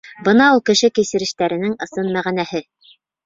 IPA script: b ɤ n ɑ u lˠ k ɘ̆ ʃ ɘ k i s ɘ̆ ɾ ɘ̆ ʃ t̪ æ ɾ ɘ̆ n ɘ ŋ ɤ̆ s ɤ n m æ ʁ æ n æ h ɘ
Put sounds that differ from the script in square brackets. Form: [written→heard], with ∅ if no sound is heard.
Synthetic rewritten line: b ɤ n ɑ u lˠ k ɘ̆ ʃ ɘ k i s ɘ̆ ɾ ɘ̆ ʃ t̪ æ ɾ ɘ̆ n ɘ ŋ ɤ̆ s ɤ n m æ ʁ æ n æ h ɘ

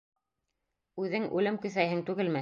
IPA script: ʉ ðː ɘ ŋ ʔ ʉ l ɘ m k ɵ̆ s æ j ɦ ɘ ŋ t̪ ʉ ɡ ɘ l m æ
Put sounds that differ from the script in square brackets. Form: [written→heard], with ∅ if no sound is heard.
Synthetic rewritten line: ʉ [ðː→ð] ɘ ŋ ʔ ʉ l ɘ m k ɵ̆ [s→θ] æ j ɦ ɘ ŋ t̪ ʉ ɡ ɘ l m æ

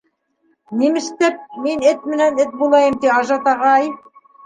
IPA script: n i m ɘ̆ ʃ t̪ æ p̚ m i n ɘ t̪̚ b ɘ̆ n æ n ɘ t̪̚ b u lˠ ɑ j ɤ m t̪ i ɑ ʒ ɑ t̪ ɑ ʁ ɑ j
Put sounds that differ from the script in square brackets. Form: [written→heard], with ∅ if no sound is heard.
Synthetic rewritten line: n i m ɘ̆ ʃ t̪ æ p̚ m i n ɘ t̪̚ [b→m] ɘ̆ n æ n ɘ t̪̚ b u lˠ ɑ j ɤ m t̪ i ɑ ʒ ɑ t̪ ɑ ʁ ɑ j

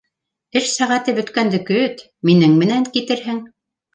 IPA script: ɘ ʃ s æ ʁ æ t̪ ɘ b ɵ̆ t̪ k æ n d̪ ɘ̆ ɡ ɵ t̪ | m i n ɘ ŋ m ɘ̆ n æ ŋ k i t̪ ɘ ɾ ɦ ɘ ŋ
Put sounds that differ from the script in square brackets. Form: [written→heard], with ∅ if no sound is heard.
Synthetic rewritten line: ɘ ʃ s æ ʁ æ t̪ ɘ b ɵ̆ t̪ k æ n d̪ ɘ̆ [ɡ→k] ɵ t̪ | m i n ɘ ŋ m ɘ̆ n æ ŋ k i t̪ ɘ ɾ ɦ ɘ ŋ

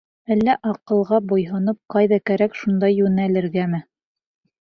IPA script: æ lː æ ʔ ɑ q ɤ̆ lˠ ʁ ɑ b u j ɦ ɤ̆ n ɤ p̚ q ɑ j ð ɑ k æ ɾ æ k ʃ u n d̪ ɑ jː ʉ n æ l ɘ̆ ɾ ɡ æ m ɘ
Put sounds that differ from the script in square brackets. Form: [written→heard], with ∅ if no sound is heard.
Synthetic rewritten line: æ lː æ ʔ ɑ q ɤ̆ lˠ ʁ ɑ b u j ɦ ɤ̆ n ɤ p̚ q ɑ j ð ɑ k æ ɾ æ k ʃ u n d̪ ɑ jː ʉ n æ l ɘ̆ ɾ ɡ æ m ɘ

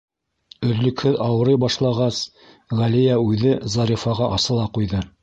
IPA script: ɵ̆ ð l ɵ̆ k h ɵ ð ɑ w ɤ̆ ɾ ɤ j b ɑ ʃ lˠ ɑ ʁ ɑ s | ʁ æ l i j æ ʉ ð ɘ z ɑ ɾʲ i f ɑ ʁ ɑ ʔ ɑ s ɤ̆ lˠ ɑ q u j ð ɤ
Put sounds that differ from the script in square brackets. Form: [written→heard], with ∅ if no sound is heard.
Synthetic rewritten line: ɵ̆ ð l ɵ̆ k h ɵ ð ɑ w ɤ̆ ɾ ɤ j b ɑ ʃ lˠ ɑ ʁ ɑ s | ʁ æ l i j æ ʉ ð ɘ z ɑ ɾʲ i f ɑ ʁ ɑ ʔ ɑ s ɤ̆ lˠ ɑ q u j ð ɤ

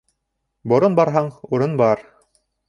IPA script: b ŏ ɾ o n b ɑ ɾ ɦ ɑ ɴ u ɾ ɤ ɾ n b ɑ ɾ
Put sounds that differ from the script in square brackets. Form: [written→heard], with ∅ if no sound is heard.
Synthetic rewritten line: b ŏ ɾ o n b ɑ ɾ ɦ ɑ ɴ u ɾ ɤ [ɾ→∅] n b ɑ ɾ

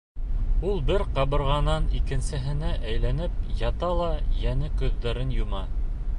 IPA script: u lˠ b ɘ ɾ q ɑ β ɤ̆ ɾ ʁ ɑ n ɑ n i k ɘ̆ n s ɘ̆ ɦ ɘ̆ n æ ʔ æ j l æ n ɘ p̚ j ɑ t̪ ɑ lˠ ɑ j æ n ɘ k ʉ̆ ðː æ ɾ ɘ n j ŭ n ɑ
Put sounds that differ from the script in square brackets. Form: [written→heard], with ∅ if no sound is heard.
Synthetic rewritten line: u lˠ b ɘ ɾ q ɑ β ɤ̆ ɾ ʁ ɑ n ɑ n i k ɘ̆ n s ɘ̆ ɦ ɘ̆ n æ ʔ æ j l æ n ɘ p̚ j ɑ t̪ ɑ lˠ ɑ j æ n ɘ k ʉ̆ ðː æ ɾ ɘ n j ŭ [n→m] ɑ

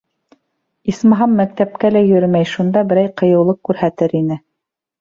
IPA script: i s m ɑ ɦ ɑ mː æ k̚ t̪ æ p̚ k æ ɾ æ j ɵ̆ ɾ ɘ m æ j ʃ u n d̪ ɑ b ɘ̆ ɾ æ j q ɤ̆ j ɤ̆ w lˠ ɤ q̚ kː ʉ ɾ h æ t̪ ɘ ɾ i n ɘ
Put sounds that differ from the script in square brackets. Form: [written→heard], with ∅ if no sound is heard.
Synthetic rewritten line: i s m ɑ ɦ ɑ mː æ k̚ t̪ æ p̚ k æ [ɾ→l] æ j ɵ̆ ɾ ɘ m æ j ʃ u n d̪ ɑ b ɘ̆ ɾ æ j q ɤ̆ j ɤ̆ w lˠ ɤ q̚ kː ʉ ɾ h æ t̪ ɘ ɾ i n ɘ

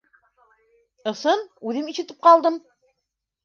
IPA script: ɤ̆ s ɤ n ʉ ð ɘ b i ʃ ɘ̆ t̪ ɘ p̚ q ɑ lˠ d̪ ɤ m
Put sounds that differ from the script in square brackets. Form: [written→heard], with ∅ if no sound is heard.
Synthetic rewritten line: ɤ̆ s ɤ n ʉ ð ɘ [b→m] i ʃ ɘ̆ t̪ ɘ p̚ q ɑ lˠ d̪ ɤ m

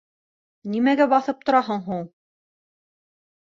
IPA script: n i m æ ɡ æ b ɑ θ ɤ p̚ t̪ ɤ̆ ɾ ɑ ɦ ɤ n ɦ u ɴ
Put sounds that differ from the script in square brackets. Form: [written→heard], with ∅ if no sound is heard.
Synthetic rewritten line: n i m æ ɡ æ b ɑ θ ɤ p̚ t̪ [ɤ̆→ŏ] ɾ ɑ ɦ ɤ [n→ɴ] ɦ u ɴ

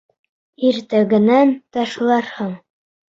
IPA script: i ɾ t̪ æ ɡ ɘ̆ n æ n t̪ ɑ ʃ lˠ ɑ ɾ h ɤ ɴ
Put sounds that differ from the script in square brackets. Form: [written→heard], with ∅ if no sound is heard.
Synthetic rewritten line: i ɾ t̪ æ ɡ ɘ̆ n æ n t̪ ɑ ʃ lˠ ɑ ɾ h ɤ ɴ

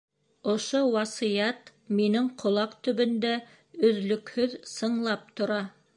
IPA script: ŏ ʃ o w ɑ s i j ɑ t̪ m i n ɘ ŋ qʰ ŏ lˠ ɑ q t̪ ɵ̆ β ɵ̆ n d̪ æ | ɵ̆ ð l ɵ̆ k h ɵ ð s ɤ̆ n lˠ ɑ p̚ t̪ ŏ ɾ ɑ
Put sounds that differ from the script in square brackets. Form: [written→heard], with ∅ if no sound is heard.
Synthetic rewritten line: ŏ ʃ o w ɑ s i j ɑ t̪ m i n ɘ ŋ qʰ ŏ lˠ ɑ q t̪ ɵ̆ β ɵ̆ n d̪ æ | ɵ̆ ð l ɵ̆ k h ɵ ð s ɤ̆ [n→ɴ] lˠ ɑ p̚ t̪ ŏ ɾ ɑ

